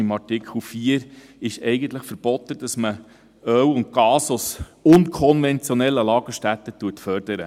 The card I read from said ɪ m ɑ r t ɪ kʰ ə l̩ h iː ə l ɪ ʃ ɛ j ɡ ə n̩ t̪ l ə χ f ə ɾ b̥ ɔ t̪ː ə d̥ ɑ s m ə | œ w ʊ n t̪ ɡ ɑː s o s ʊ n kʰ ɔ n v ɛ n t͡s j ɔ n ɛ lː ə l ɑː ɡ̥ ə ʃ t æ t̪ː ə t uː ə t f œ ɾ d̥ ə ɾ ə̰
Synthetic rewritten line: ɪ m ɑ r t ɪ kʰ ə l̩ f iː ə ɾ ɪ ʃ ɛ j ɡ ə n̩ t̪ l ə χ f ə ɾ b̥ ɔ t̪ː ə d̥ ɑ s m ə | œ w ʊ n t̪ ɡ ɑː s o s ʊ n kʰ ɔ n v ɛ n t͡s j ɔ n ɛ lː ə l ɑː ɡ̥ ə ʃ t æ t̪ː ə t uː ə t f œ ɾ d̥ ə ɾ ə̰